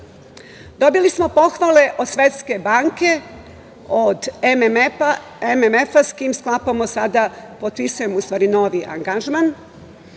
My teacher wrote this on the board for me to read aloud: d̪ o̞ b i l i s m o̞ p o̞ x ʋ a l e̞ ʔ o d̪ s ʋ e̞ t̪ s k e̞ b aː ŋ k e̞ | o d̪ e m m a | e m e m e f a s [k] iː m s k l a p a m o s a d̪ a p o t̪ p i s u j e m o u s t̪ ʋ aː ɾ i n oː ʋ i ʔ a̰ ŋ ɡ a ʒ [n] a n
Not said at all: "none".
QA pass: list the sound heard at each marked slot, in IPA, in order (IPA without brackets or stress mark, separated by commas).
k, m